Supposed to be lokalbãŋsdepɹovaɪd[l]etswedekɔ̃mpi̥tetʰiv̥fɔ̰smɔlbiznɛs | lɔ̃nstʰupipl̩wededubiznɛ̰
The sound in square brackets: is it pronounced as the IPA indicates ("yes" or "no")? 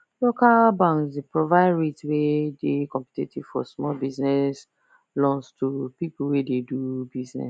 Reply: no